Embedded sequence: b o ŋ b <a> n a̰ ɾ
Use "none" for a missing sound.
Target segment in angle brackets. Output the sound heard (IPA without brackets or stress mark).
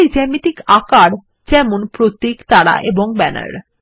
ɛ